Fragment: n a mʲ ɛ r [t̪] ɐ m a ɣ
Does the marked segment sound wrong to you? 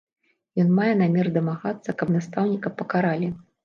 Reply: yes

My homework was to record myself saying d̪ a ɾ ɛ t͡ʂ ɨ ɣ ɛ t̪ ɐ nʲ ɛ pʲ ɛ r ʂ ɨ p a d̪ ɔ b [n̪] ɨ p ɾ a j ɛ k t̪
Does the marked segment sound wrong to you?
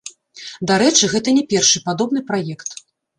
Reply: no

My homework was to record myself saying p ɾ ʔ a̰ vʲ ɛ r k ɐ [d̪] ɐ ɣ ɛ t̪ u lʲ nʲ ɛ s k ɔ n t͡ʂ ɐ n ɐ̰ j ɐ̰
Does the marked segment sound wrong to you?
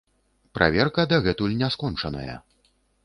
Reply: no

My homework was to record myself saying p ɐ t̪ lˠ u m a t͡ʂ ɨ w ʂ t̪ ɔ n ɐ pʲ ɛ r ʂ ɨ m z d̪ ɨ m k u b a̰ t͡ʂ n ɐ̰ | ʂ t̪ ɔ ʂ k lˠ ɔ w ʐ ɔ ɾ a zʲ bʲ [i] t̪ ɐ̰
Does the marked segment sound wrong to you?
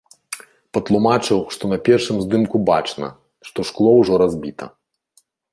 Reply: no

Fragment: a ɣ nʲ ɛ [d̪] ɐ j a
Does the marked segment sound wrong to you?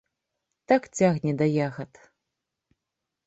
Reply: no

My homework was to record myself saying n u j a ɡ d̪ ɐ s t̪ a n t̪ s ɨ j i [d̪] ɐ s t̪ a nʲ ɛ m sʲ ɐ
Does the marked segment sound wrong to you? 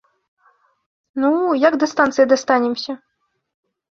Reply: no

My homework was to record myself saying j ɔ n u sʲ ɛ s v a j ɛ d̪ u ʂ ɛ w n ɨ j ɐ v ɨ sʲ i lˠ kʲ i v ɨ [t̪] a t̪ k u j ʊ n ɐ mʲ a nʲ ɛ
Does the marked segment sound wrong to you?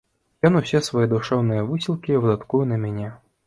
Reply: yes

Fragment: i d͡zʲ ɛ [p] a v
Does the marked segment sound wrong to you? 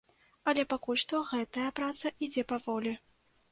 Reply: no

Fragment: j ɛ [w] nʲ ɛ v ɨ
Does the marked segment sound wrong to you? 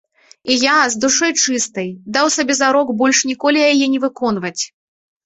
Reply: yes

